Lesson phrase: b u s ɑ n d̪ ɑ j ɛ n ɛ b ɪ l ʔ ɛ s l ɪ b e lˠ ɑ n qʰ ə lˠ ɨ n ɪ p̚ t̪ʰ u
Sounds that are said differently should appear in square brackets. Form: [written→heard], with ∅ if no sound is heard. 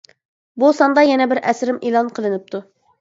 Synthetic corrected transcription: b u s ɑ n d̪ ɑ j ɛ n ɛ b ɪ [l→ɾ] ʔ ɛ s [l→ɾ] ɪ [b→m] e lˠ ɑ n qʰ ə lˠ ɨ n ɪ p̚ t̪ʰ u